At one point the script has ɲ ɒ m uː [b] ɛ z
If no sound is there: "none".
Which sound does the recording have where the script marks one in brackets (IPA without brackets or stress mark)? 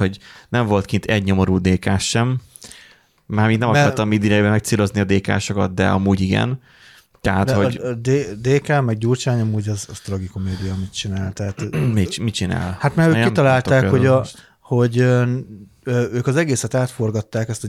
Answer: ɟ